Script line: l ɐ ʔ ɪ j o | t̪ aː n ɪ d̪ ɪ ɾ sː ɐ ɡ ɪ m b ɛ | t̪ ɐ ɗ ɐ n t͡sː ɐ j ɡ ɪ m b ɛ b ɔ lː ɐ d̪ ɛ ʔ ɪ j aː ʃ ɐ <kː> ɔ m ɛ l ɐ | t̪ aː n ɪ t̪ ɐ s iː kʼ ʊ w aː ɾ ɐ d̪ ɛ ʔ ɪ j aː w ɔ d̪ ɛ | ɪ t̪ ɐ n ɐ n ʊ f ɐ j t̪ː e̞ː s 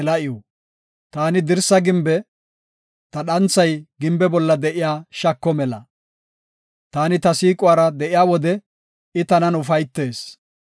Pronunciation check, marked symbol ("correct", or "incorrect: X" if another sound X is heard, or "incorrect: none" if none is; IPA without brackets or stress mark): correct